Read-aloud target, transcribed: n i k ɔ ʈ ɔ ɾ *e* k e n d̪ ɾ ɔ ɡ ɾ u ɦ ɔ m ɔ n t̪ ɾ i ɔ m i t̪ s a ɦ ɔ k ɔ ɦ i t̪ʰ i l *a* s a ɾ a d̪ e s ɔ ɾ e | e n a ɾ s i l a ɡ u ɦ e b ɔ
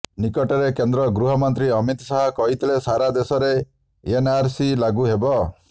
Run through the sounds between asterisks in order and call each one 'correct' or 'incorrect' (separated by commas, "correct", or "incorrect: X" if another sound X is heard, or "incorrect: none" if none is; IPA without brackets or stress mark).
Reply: correct, incorrect: e